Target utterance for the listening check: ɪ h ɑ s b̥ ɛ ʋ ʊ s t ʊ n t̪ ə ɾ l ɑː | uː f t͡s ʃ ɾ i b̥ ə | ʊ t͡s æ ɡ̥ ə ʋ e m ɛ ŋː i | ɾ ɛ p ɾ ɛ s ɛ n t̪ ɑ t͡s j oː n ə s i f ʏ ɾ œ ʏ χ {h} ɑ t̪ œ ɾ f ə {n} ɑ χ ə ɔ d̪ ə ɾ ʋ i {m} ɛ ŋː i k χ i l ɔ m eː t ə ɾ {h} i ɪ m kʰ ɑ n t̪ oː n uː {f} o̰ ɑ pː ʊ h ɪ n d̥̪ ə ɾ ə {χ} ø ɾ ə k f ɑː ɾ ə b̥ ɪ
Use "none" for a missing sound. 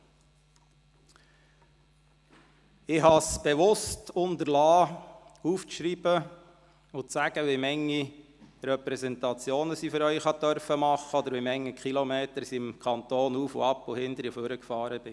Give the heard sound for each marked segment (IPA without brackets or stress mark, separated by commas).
h, m, m, s, f, f